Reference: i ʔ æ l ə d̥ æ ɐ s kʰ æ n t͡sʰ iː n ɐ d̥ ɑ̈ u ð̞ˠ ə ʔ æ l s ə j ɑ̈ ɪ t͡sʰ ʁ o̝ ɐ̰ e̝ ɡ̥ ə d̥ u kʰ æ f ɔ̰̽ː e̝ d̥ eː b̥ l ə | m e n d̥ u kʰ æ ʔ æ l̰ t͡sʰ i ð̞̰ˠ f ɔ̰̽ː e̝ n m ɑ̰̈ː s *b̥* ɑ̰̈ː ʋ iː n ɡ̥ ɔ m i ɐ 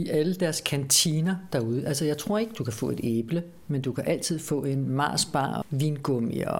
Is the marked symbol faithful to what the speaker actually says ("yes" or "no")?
yes